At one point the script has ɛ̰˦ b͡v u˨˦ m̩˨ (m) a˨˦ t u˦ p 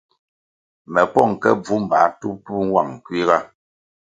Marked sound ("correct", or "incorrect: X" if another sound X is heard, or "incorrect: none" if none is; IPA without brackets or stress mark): incorrect: b